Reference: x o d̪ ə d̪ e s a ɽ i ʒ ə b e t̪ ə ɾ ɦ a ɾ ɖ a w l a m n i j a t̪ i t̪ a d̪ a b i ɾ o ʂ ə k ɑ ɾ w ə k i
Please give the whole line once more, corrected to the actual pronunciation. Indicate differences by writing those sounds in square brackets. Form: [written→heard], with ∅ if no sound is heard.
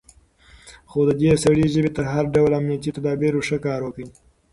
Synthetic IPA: x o d̪ ə d̪ e s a ɽ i ʒ ə b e t̪ ə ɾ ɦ a ɾ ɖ a w l a m n i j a t̪ i t̪ a d̪ [a→ɑ] b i ɾ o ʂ ə k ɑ ɾ w ə k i